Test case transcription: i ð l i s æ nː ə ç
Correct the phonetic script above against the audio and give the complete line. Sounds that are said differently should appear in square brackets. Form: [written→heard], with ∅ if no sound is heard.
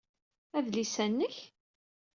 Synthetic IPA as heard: [i→æ] ð l i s æ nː ə ç